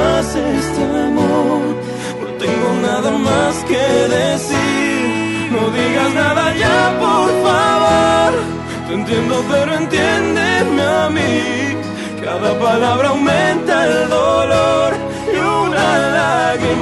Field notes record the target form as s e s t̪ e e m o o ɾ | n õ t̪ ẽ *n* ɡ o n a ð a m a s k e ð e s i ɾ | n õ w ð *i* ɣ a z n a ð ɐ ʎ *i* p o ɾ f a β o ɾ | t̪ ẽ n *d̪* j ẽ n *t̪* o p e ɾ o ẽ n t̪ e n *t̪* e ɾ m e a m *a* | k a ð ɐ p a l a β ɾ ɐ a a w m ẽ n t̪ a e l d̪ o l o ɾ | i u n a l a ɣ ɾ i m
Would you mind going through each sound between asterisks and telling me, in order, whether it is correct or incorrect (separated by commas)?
incorrect, correct, incorrect, incorrect, incorrect, incorrect, incorrect